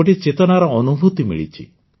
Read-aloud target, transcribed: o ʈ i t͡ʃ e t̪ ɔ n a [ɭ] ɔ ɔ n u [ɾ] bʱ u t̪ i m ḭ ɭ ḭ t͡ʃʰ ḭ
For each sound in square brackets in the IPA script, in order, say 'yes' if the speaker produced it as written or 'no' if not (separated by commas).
no, no